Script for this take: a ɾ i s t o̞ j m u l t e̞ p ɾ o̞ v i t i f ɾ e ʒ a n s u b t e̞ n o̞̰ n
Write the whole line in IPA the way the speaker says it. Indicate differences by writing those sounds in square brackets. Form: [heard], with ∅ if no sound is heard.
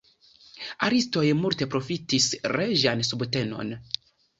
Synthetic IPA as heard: a ɾ i s t o̞ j m u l t e̞ p ɾ o̞ [f] i t i [s] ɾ e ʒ a n s u b t e̞ n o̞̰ n